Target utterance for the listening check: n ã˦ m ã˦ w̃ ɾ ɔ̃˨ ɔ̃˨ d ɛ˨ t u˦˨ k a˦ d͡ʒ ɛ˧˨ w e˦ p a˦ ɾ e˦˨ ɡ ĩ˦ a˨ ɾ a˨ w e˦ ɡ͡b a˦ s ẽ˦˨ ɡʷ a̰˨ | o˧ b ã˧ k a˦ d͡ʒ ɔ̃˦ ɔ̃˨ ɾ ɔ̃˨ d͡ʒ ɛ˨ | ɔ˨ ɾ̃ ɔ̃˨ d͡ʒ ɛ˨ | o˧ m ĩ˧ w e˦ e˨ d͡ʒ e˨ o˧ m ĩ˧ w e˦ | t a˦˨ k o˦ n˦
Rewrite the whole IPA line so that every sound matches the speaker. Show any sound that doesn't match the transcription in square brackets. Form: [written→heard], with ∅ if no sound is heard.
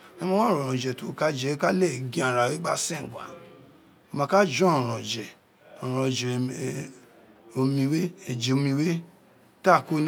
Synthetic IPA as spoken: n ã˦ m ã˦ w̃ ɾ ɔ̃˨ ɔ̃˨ [d→d͡ʒ] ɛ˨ t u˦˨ k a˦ d͡ʒ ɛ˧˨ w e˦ [p→k] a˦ [ɾ→l] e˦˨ ɡ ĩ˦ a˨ ɾ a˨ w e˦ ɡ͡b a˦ s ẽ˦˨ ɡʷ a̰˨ | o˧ [b→m] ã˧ k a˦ d͡ʒ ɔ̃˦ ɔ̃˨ ɾ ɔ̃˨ d͡ʒ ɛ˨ | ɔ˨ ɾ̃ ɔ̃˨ d͡ʒ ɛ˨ | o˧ m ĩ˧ w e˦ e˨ d͡ʒ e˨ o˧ m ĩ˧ w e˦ | t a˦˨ k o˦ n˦